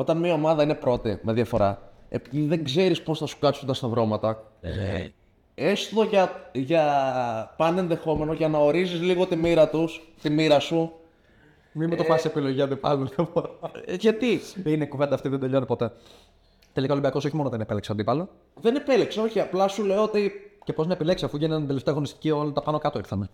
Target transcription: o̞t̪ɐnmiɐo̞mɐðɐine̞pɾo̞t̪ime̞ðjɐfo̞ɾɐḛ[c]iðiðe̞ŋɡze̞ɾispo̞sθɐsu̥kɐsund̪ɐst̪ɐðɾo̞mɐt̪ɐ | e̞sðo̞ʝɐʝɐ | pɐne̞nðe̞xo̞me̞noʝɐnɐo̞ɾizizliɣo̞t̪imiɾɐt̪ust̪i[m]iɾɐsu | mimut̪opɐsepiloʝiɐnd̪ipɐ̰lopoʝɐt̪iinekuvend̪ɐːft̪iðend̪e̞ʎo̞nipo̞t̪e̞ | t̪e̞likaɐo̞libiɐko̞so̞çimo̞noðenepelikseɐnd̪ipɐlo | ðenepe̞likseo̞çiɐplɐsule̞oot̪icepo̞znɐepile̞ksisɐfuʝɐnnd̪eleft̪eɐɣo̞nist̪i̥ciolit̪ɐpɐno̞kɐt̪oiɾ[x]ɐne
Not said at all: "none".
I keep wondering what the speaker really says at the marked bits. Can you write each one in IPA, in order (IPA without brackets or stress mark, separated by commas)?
p, m, θ